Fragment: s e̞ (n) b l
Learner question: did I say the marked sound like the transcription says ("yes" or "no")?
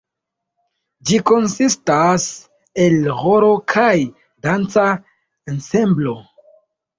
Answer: no